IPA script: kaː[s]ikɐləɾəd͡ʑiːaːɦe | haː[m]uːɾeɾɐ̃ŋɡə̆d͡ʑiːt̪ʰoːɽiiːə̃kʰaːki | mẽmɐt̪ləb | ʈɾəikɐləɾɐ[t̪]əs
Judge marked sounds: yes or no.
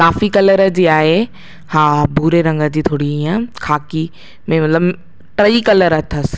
no, no, no

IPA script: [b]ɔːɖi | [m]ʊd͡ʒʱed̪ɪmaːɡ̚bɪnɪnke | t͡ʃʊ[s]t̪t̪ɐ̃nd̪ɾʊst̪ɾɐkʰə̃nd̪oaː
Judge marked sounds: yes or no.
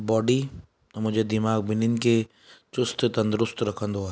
yes, yes, yes

